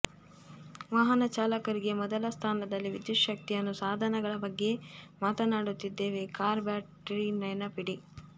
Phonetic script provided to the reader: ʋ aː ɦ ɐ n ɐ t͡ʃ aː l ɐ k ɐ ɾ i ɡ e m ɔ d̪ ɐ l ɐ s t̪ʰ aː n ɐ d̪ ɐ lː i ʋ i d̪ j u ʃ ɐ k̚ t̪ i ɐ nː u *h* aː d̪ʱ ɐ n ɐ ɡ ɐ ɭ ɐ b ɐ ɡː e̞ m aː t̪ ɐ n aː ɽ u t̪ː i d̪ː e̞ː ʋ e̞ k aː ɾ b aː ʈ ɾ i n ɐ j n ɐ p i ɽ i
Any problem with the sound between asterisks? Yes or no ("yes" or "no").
yes